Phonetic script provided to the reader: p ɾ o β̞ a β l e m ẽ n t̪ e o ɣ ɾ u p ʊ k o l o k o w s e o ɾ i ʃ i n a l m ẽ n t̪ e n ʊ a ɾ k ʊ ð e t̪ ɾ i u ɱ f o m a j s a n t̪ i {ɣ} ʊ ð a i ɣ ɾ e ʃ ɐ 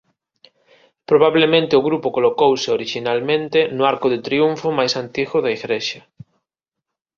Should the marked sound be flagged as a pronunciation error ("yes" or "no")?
no